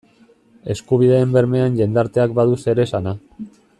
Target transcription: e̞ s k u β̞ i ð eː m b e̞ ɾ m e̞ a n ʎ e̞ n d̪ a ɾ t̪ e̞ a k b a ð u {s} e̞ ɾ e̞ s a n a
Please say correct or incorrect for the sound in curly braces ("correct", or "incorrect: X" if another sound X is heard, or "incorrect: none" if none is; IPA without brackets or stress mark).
correct